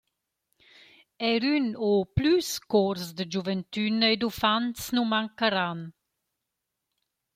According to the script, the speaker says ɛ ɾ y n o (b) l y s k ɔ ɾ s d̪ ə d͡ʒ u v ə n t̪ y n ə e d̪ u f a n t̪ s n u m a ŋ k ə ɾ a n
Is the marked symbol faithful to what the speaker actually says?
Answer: no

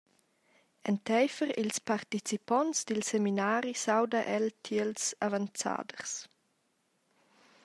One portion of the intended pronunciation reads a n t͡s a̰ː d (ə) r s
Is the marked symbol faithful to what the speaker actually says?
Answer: yes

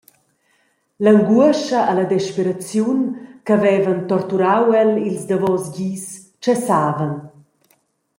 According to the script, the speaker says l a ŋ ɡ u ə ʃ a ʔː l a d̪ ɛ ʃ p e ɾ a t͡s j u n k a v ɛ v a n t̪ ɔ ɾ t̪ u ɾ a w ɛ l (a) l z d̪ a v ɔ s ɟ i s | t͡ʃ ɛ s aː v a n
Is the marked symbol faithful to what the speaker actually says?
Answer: no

